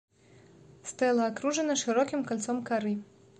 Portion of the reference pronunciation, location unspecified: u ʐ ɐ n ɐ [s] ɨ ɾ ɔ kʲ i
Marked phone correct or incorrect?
incorrect